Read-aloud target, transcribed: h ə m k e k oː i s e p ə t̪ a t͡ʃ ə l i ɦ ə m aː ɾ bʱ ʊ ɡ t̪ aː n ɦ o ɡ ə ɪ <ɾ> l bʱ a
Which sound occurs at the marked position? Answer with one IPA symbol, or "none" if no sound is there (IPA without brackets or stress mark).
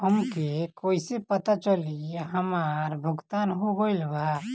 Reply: none